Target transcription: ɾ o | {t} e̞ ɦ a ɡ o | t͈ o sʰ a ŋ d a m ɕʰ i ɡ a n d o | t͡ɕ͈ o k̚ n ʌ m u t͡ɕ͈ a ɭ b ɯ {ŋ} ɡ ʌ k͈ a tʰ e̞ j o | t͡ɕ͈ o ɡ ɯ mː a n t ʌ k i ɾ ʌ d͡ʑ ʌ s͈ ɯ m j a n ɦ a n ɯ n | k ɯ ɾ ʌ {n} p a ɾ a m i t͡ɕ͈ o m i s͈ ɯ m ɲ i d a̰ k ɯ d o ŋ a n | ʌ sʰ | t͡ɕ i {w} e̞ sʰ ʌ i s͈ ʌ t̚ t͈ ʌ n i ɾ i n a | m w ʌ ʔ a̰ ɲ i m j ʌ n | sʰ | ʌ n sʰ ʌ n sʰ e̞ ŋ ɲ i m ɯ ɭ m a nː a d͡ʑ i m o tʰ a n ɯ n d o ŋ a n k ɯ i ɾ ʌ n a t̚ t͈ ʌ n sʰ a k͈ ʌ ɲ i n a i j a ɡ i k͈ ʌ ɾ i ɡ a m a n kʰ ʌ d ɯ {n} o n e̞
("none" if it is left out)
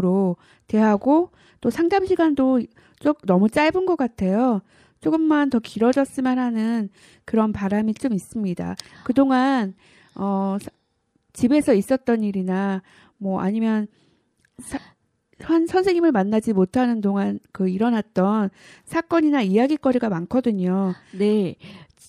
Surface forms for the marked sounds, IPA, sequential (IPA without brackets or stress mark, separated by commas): t, n, n, b, ɲ